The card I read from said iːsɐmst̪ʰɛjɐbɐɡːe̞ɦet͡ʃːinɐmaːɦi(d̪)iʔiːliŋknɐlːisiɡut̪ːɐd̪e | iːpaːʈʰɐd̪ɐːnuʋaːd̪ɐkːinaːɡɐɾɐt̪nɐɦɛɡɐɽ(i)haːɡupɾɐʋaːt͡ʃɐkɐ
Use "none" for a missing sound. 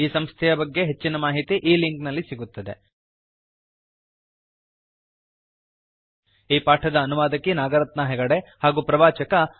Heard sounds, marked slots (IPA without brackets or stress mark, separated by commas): t̪, e